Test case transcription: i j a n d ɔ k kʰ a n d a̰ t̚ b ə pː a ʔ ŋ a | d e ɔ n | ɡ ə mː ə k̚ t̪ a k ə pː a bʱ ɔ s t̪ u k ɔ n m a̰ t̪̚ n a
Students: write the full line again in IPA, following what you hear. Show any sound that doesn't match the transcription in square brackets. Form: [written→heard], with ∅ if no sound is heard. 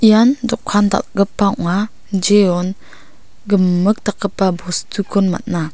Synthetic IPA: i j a n d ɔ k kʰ a n d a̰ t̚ [b→ɡ] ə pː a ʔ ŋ a | [d→d͡ʒ] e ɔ n | ɡ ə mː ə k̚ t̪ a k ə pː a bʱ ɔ s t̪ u k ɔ n m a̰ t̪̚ n a